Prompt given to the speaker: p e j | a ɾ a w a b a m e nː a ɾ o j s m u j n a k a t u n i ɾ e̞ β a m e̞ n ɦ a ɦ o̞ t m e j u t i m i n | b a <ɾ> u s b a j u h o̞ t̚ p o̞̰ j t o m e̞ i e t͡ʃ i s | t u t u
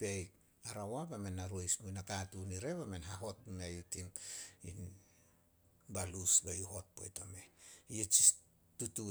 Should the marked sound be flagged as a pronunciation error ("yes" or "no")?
yes